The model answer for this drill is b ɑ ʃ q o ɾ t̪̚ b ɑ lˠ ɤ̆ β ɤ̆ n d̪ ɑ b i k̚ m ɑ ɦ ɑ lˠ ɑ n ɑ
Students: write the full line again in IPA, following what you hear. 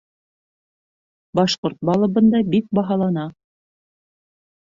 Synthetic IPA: b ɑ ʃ q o ɾ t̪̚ b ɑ lˠ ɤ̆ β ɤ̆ n d̪ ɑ b i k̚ b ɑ ɦ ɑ lˠ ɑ n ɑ